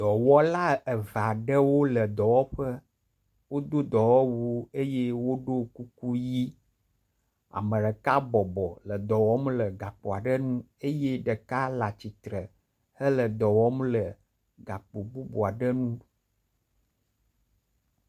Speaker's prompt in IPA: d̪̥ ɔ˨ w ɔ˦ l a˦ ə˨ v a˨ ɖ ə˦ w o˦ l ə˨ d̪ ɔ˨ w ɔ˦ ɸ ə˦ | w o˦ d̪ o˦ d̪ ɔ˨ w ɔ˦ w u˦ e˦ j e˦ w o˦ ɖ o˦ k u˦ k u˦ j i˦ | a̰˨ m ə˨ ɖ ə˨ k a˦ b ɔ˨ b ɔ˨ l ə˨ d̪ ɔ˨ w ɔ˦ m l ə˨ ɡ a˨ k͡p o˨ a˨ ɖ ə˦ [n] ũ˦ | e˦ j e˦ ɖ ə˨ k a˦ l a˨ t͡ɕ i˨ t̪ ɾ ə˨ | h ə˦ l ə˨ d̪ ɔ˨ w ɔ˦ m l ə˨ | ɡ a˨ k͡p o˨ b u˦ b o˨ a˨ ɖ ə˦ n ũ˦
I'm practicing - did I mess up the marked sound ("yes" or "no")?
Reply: no